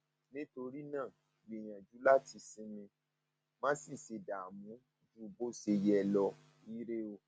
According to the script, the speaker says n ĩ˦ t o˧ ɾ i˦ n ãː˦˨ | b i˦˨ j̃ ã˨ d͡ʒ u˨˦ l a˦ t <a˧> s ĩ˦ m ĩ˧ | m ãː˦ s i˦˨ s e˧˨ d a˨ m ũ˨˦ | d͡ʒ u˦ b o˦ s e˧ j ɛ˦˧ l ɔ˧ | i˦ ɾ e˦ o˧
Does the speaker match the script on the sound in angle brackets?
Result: no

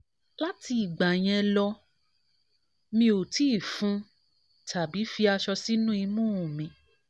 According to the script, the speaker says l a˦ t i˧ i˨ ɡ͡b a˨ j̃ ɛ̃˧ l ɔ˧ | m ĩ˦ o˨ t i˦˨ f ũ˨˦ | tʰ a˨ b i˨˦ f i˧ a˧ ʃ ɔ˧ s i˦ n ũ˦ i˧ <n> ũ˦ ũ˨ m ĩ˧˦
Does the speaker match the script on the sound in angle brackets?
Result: no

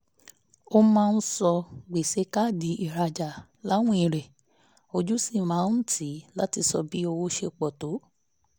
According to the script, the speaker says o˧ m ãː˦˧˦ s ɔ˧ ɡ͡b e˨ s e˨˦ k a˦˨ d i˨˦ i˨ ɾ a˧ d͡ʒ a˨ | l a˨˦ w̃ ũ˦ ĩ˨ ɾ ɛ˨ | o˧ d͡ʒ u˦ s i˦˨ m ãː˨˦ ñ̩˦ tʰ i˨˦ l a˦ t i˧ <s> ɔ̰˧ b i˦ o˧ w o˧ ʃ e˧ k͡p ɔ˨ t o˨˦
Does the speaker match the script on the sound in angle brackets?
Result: yes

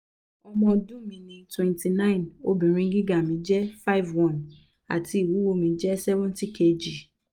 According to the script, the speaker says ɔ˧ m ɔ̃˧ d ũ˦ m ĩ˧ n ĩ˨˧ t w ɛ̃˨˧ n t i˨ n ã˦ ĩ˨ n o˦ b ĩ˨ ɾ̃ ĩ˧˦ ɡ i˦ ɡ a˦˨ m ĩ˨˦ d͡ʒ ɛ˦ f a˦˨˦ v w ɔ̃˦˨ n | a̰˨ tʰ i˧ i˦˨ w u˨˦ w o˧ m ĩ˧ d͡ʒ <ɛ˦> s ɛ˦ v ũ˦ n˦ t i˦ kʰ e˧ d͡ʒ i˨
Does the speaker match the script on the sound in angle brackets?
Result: yes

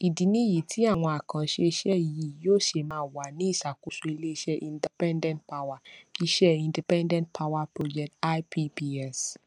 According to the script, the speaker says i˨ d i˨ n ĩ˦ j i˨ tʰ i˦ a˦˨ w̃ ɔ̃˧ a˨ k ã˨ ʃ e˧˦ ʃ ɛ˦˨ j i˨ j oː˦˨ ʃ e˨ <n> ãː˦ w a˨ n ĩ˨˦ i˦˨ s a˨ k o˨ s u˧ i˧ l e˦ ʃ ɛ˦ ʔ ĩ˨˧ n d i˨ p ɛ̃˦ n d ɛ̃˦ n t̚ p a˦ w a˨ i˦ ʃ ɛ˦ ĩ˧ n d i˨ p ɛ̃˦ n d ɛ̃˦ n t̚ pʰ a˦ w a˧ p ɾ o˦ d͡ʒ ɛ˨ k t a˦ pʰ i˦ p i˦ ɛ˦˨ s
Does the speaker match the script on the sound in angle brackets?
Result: no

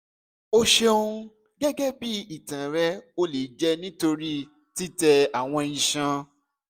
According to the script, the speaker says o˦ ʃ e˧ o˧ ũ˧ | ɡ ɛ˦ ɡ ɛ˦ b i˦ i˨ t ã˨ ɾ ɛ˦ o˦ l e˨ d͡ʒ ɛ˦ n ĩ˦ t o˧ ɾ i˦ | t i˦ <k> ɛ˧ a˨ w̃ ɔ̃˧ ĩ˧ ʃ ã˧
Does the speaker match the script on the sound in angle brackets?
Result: no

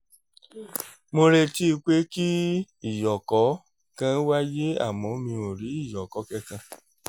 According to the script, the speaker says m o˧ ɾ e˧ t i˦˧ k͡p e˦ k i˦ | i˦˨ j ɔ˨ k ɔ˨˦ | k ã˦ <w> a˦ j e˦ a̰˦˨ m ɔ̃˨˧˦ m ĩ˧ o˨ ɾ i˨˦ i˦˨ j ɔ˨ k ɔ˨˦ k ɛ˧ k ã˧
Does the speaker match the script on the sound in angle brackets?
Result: yes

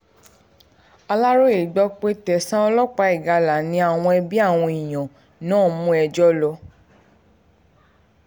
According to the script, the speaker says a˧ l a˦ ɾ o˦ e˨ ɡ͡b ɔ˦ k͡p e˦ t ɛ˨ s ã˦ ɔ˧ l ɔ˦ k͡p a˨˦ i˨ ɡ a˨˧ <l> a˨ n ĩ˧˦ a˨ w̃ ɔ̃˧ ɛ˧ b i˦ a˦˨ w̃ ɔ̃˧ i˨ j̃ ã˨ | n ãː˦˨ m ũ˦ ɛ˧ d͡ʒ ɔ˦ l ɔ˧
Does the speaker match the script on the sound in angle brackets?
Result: yes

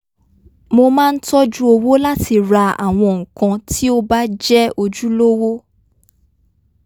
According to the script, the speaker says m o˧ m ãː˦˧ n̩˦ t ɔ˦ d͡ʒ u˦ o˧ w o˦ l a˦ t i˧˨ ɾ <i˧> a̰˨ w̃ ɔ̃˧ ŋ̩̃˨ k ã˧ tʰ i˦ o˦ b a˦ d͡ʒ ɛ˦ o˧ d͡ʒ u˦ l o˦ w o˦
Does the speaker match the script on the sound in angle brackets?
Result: no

